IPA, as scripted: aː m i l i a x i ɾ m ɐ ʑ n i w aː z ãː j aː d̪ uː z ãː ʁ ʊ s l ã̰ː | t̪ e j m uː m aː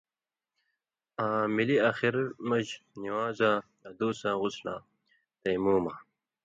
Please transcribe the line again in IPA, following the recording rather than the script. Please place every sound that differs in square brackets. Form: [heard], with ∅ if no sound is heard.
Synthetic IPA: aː m i l i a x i ɾ m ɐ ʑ n i w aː z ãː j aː d̪ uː [s] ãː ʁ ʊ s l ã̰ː | t̪ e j m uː m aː

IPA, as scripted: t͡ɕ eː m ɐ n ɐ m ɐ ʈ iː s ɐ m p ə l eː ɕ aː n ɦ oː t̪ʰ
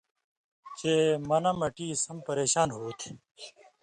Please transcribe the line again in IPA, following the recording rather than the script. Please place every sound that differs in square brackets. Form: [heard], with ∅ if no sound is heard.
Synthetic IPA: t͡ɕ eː m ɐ n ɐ m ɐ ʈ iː s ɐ m p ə [ɾ] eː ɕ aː n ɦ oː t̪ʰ

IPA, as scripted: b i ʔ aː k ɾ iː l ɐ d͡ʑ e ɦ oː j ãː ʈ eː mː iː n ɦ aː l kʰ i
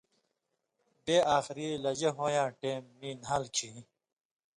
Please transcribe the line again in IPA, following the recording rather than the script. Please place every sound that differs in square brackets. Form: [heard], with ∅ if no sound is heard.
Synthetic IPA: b [e] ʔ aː [x] ɾ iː l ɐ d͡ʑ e ɦ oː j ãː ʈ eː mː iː n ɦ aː l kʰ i

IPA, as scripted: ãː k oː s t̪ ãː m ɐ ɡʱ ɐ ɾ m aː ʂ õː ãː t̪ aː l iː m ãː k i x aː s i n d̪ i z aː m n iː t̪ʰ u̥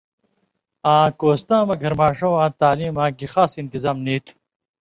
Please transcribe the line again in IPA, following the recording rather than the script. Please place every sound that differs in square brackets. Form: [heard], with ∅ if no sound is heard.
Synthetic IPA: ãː k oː s t̪ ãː m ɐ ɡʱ ɐ ɾ m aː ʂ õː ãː t̪ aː l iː m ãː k i x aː s i n [t̪] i z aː m n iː t̪ʰ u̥

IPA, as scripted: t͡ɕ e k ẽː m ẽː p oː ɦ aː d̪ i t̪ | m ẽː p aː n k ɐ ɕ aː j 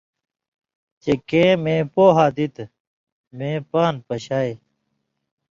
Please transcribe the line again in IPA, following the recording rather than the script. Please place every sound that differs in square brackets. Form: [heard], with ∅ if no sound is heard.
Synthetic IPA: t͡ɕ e k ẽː m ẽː p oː ɦ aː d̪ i t̪ | m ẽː p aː n [p] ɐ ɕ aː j

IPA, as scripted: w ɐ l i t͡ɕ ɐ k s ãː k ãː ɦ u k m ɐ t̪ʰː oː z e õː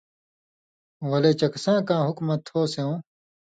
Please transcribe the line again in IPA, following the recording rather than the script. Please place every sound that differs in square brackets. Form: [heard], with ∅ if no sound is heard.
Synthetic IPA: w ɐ l [e] t͡ɕ ɐ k s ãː k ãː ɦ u k m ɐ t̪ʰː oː [s] e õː

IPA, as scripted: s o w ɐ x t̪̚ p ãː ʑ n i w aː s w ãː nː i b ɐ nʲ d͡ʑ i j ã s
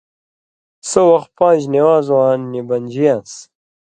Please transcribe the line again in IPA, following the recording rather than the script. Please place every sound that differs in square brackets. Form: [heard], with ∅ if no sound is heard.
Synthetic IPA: s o w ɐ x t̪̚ p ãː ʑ n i w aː [z] w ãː nː i b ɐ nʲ d͡ʑ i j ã s

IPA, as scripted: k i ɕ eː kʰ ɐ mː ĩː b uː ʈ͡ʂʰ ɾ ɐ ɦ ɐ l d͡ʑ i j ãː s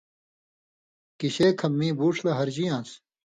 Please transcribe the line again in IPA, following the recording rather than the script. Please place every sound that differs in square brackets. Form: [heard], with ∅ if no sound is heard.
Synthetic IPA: k i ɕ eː kʰ ɐ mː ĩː b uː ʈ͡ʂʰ [l] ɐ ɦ ɐ [ɾ] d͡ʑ i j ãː s

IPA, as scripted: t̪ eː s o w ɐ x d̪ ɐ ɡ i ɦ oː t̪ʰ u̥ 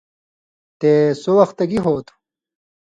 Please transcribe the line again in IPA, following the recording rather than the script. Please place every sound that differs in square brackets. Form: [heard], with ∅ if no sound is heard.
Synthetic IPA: t̪ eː s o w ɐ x [t̪] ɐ ɡ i ɦ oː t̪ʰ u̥

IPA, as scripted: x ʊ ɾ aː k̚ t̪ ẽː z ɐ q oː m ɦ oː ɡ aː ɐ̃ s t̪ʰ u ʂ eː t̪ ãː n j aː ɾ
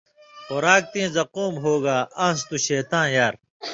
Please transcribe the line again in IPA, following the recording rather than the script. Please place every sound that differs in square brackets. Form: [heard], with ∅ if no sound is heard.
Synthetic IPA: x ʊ ɾ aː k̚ t̪ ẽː z ɐ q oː m ɦ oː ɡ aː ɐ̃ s [t̪] u [ɕ] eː t̪ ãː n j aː ɾ

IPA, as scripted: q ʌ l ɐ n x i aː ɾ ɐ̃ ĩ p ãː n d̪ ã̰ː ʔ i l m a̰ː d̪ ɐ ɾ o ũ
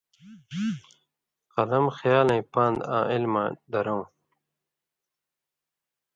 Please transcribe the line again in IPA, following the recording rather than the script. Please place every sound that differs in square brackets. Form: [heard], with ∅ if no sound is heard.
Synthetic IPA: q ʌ l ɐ [m] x [j] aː [l] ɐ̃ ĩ p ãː n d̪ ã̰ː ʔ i l m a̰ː d̪ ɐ ɾ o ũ

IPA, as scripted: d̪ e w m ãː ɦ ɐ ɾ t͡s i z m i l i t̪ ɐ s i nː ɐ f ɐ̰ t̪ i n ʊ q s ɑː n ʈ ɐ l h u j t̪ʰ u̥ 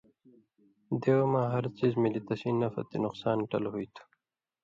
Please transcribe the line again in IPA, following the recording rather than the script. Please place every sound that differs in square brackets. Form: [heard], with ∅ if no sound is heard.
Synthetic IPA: d̪ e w m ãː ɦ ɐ ɾ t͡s i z m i l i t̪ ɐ s i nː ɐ f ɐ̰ t̪ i n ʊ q s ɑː n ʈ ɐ l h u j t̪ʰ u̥

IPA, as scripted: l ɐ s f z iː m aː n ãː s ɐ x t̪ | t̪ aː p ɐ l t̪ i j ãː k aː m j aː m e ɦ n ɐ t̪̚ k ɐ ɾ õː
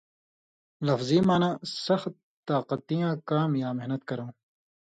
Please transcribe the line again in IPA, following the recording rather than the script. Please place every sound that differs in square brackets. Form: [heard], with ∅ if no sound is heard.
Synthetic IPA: l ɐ [∅] f z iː m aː n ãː s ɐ x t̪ | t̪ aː [q] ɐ [∅] t̪ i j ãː k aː m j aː m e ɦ n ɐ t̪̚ k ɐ ɾ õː

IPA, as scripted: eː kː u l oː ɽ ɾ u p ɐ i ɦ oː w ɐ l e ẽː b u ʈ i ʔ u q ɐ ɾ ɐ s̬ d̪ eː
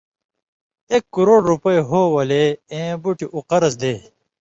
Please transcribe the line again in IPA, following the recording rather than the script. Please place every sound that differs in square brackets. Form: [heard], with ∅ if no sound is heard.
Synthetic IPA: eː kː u [ɾ] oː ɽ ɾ u p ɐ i ɦ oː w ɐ l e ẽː b u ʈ i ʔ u q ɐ ɾ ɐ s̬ d̪ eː

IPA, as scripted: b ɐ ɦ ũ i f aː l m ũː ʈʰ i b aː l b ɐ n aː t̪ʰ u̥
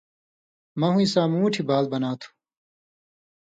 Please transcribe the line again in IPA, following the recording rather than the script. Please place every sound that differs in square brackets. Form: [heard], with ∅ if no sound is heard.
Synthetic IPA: [m] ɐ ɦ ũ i [s] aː [∅] m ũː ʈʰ i b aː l b ɐ n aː t̪ʰ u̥

